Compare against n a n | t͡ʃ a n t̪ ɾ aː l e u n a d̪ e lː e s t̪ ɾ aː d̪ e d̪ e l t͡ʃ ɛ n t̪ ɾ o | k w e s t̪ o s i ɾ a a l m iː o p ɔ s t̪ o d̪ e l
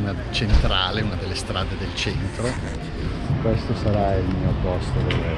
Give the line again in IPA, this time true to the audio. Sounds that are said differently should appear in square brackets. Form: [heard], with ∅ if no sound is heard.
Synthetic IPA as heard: n a [∅] | t͡ʃ [e] n t̪ ɾ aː l e u n a d̪ e lː e s t̪ ɾ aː d̪ e d̪ e l t͡ʃ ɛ n t̪ ɾ o | k w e s t̪ o s [a] ɾ a [i] l m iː o p ɔ s t̪ o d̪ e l